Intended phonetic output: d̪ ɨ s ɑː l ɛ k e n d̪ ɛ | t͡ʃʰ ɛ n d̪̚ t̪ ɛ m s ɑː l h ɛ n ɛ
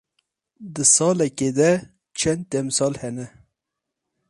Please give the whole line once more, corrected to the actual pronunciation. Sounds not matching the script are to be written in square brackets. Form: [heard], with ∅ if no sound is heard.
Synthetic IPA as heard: d̪ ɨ s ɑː l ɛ k e [∅] d̪ ɛ | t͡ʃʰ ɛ n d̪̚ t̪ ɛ m s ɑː l h ɛ n ɛ